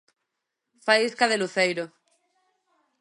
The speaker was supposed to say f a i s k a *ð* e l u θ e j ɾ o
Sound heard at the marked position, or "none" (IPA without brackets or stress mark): ð